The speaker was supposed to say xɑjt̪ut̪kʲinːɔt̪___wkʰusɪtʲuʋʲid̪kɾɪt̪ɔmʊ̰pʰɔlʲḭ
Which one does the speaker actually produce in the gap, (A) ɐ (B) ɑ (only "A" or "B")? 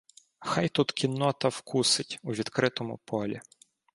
A